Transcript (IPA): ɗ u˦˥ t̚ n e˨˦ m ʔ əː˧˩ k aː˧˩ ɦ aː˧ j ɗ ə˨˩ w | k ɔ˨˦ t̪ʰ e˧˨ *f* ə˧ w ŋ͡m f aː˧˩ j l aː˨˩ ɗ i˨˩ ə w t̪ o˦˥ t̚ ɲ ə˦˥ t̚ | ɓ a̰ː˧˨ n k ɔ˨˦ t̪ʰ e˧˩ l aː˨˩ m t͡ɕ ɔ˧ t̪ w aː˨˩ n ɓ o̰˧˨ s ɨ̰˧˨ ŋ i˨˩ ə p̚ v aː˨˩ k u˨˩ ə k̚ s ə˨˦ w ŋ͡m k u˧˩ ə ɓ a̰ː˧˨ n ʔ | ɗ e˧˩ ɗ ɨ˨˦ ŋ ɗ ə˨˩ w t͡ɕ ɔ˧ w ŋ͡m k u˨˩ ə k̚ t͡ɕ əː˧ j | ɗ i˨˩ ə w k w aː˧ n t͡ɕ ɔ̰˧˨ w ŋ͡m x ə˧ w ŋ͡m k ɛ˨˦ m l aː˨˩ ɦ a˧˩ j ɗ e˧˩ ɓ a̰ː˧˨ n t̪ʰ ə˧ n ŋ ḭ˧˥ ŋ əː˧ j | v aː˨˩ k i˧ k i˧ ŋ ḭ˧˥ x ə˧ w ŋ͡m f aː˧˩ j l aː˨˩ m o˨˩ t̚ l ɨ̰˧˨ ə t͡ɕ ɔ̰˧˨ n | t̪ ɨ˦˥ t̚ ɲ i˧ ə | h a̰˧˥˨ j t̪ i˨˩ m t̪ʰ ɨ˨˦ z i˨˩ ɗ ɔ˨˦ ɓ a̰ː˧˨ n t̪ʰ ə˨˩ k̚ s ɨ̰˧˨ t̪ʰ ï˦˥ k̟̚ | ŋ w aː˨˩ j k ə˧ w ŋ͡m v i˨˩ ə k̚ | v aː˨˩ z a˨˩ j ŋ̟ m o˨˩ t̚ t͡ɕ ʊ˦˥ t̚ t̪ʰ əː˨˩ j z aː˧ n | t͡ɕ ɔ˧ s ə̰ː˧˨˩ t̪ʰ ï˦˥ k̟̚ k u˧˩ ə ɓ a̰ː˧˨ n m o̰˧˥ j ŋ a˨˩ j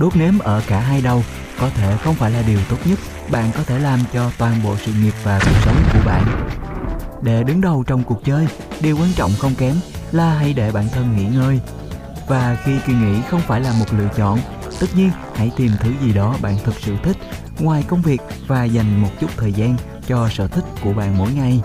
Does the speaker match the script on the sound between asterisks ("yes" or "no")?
no